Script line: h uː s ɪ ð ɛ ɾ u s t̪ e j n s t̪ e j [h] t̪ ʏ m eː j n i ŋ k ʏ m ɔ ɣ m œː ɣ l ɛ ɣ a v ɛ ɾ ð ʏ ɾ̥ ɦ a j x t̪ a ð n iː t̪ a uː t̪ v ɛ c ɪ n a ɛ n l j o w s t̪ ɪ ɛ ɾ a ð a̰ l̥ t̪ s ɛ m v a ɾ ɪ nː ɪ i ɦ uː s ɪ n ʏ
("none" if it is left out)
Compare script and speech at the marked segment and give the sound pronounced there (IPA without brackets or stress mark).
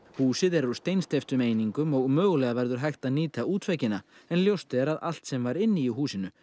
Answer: f